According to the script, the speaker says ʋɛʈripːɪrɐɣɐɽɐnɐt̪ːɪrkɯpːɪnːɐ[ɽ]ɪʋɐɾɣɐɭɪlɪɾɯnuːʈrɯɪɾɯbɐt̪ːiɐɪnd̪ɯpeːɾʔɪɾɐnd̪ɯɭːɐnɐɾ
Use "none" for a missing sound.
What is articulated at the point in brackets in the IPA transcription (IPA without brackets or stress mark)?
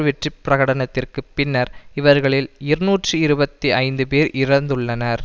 ɾ